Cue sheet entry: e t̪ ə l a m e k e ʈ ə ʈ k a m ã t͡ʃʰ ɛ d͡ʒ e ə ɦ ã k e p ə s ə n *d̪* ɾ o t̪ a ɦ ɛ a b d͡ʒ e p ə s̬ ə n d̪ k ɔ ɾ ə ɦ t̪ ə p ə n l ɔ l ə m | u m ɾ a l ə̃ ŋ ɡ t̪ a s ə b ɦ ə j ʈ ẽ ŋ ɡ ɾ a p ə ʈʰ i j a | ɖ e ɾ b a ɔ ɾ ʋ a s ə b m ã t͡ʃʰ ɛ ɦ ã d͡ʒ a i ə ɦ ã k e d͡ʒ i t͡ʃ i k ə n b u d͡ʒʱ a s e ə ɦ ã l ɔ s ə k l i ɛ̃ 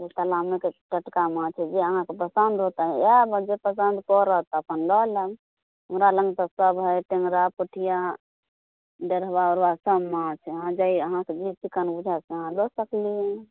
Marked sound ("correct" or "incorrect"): correct